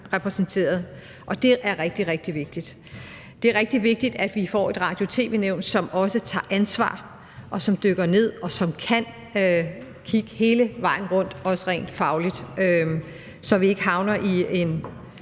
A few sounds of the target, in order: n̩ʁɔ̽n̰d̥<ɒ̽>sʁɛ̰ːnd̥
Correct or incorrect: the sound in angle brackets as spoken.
correct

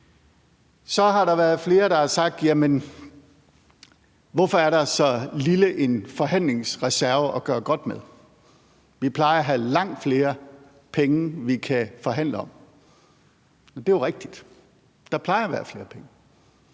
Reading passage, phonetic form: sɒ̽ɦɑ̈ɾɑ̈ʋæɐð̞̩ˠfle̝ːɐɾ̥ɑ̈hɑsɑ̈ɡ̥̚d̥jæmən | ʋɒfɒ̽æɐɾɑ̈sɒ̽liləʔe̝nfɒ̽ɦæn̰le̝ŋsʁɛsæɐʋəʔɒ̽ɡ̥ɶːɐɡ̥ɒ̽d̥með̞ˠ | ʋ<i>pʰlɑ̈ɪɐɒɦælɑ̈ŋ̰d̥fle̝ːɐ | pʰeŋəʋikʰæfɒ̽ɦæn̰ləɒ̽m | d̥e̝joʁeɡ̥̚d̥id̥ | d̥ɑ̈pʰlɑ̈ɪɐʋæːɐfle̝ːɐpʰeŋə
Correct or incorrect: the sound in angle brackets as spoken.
correct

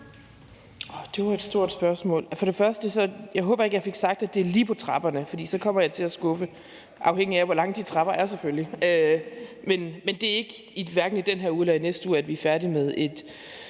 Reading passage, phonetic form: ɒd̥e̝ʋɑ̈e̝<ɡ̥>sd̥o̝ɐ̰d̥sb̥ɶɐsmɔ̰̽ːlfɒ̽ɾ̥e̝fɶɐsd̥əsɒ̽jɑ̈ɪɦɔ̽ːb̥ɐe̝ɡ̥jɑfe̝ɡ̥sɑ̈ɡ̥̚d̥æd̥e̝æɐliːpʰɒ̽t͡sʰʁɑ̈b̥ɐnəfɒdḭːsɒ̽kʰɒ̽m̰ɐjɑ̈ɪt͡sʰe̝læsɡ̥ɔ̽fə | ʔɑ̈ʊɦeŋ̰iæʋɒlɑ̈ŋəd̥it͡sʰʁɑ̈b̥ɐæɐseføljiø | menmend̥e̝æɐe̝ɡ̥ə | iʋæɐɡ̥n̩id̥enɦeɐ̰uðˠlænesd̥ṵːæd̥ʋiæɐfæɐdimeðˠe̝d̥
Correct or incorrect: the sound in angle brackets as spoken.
incorrect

